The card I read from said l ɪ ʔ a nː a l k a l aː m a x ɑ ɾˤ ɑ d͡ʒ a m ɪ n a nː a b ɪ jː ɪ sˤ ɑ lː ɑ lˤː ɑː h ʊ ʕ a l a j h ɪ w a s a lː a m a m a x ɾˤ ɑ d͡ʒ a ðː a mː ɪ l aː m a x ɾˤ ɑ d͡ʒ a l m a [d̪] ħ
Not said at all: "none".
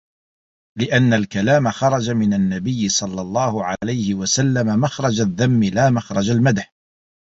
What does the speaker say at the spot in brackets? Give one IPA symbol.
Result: d̪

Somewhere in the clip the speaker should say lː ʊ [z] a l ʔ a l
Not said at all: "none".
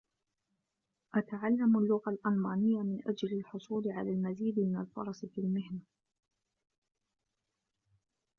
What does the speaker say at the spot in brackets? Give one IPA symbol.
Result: ɣ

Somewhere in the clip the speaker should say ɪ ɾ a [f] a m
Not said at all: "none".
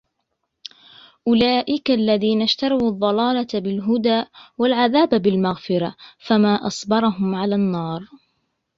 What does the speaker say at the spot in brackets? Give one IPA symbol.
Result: f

